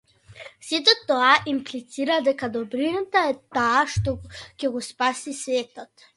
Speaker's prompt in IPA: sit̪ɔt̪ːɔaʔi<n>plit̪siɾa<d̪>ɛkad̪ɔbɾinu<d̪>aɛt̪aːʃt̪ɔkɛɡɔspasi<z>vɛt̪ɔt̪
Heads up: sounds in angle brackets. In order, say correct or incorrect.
incorrect: m, correct, incorrect: t̪, incorrect: s

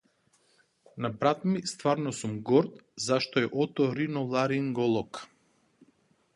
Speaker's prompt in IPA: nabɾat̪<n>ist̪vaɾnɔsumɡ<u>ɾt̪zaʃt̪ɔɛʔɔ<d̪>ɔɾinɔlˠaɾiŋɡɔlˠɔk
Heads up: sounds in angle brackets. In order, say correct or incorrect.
incorrect: m, incorrect: ɔ, incorrect: t̪

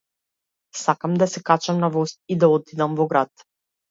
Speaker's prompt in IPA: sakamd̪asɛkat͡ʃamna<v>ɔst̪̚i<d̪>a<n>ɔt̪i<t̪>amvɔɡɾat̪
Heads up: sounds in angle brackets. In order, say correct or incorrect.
correct, correct, incorrect: none, incorrect: d̪

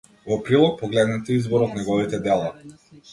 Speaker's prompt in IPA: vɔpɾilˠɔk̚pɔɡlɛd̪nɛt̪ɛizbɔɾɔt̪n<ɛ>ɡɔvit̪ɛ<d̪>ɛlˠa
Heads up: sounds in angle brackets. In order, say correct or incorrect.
correct, correct

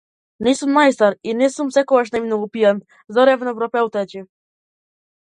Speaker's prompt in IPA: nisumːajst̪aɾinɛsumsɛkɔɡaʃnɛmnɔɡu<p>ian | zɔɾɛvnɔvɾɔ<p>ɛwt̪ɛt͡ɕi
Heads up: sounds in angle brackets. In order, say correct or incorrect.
correct, correct

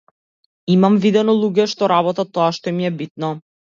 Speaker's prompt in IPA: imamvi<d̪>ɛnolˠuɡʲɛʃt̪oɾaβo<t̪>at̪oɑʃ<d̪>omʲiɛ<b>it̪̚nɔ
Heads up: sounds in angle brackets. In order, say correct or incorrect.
correct, correct, incorrect: t̪, correct

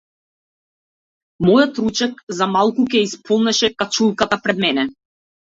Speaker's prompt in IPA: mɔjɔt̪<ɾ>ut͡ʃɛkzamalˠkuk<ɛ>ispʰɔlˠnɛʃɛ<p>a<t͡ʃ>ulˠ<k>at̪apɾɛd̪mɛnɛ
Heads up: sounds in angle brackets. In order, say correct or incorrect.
correct, correct, incorrect: k, correct, correct

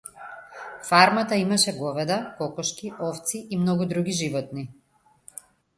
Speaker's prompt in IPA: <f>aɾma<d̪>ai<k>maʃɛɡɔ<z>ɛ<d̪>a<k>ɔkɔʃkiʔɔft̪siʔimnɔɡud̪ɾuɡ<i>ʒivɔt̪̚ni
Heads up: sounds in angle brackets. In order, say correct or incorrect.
correct, incorrect: t̪, incorrect: none, incorrect: v, correct, correct, correct

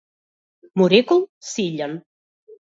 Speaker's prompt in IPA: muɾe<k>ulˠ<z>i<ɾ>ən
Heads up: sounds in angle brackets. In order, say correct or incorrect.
correct, incorrect: s, incorrect: ʎ

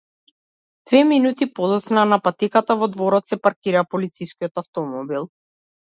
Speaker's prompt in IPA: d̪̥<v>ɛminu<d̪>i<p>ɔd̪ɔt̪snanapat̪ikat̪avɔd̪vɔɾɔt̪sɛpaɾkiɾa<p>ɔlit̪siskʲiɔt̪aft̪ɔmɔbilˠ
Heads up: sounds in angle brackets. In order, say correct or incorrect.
correct, incorrect: t̪, correct, correct

